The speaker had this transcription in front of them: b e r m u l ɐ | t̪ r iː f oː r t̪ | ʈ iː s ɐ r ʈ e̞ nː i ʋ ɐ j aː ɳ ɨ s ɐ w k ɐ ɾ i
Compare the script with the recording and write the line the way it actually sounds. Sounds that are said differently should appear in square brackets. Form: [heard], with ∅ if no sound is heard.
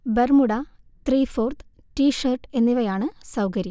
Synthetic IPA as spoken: b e r m u [ɽ] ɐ | t̪ r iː f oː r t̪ | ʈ iː [ʂ] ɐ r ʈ e̞ nː i ʋ ɐ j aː ɳ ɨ s ɐ w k ɐ ɾ i